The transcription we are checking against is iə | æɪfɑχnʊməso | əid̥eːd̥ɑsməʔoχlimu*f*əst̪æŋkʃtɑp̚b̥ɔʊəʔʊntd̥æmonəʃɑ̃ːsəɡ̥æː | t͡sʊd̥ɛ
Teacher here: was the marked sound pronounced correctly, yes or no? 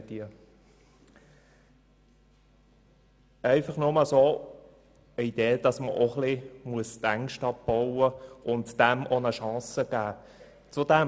no